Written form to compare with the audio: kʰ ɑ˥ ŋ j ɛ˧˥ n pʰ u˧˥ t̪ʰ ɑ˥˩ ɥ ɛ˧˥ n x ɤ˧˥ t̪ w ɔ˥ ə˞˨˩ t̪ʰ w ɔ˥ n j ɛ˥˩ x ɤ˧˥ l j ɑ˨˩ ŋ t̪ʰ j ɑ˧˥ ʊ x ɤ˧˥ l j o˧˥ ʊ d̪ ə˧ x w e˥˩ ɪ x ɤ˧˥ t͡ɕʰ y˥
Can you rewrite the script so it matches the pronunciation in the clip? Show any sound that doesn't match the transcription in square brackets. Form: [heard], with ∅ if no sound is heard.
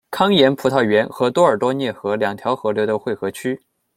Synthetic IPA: kʰ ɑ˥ ŋ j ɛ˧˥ n pʰ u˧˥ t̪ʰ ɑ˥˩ ɥ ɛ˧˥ n x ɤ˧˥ t̪ w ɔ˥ ə˞˨˩ [t̪] w ɔ˥ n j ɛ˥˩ x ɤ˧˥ l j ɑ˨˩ ŋ t̪ʰ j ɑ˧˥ ʊ x ɤ˧˥ l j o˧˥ ʊ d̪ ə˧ x w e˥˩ ɪ x ɤ˧˥ t͡ɕʰ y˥